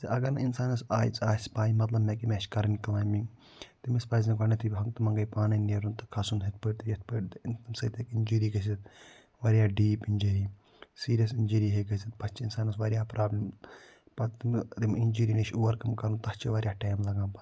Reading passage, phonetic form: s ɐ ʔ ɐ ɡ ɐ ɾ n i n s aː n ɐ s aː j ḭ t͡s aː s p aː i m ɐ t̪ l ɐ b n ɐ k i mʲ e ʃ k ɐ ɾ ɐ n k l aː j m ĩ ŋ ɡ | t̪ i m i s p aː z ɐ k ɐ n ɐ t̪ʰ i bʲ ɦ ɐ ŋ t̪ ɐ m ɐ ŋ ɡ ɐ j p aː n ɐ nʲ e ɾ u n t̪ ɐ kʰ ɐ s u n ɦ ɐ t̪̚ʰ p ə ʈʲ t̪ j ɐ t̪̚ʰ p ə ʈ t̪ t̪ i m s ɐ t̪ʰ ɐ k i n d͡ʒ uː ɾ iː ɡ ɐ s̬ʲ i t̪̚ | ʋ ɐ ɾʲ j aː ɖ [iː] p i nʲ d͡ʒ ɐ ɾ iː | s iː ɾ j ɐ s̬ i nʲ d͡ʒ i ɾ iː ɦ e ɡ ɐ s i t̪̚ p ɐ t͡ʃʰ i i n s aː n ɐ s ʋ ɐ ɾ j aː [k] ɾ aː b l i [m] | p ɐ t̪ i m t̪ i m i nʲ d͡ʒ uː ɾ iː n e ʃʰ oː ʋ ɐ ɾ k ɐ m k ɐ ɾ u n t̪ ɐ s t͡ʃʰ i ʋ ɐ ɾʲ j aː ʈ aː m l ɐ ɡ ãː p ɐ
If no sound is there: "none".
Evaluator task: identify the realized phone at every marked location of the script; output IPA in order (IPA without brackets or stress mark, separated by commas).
iː, p, m